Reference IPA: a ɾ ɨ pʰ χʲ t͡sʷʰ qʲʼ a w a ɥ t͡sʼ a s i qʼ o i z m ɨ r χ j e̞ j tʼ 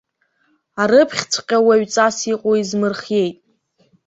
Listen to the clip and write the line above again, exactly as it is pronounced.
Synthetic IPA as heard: a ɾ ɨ pʰ χʲ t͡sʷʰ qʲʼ a w a ɥ t͡sʼ a s i qʼ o i z m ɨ r χ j e̞ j tʼ